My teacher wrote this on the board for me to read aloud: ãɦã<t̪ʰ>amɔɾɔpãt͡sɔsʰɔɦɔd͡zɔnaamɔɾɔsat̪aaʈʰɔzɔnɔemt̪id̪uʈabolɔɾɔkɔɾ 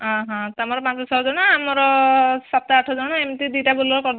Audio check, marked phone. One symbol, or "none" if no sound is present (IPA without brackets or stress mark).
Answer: t̪